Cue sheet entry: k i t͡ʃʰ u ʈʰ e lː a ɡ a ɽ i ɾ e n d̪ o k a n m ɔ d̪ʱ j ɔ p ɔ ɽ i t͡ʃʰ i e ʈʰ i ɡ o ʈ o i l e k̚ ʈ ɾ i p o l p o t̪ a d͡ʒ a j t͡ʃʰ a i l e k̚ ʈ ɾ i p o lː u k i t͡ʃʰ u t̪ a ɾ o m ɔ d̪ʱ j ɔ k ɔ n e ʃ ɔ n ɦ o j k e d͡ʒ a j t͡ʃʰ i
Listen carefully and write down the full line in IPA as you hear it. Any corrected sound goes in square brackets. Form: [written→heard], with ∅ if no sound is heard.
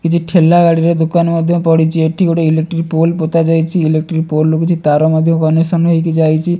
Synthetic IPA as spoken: k i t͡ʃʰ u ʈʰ e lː a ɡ a ɽ i ɾ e [n→∅] d̪ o k a n m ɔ d̪ʱ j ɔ p ɔ ɽ i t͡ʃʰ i e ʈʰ i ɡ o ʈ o i l e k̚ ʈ ɾ i p o l p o t̪ a d͡ʒ a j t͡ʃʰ [a→i] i l e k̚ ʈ ɾ i p o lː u k i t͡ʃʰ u t̪ a ɾ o m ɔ d̪ʱ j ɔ k ɔ n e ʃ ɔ n ɦ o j k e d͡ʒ a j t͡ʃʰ i